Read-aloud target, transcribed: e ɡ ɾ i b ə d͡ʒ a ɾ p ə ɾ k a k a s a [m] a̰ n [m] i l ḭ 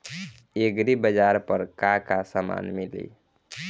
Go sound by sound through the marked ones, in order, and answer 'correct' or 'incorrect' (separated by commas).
correct, correct